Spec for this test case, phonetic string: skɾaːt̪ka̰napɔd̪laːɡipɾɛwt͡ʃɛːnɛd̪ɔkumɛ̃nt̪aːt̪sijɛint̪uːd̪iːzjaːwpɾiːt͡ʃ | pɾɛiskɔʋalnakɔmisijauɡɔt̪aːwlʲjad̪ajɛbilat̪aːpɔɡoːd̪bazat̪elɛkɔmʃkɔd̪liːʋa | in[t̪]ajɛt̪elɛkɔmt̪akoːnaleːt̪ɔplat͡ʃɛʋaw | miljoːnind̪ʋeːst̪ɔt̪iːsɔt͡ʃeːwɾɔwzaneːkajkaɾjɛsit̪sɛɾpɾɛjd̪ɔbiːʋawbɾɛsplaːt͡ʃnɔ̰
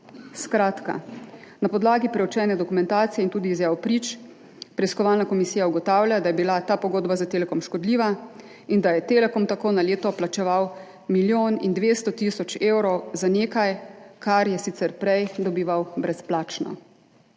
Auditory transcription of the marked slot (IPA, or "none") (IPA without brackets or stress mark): d̪